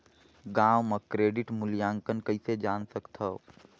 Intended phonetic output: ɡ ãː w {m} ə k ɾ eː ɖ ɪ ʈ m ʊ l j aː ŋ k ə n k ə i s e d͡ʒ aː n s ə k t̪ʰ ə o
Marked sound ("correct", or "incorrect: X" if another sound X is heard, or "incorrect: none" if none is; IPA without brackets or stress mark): correct